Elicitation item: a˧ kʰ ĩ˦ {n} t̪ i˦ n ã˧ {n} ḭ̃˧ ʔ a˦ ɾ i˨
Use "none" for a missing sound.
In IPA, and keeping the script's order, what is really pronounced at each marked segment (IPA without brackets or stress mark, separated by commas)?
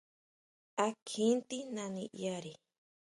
n, n